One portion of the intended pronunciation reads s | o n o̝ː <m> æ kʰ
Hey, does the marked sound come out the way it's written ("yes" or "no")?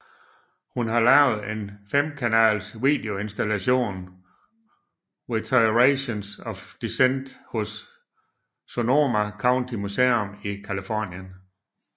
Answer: yes